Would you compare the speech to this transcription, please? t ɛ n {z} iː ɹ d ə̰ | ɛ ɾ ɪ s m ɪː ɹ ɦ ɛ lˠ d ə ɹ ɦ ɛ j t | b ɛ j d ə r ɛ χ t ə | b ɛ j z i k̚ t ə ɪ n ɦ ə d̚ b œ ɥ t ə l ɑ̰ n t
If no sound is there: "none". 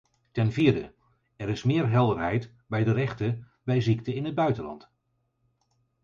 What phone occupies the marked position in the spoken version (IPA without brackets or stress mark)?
v